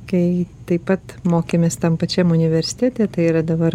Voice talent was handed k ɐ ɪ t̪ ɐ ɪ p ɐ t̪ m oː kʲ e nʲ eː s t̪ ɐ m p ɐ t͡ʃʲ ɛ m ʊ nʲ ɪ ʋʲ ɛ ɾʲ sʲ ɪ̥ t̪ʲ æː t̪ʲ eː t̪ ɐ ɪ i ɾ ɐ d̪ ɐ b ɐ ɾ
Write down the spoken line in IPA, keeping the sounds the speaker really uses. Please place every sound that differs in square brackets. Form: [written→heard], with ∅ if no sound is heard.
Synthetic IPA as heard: k ɐ ɪ t̪ ɐ ɪ p ɐ t̪ m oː kʲ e [nʲ→mʲ] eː s t̪ ɐ m p ɐ t͡ʃʲ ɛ m ʊ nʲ ɪ ʋʲ ɛ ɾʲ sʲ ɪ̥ t̪ʲ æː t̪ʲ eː t̪ ɐ ɪ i ɾ ɐ d̪ ɐ b ɐ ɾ